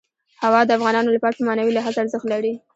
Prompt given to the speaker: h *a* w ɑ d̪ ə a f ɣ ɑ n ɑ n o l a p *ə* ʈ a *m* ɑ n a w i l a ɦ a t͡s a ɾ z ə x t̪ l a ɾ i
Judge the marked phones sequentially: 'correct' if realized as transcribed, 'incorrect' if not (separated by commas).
correct, incorrect, correct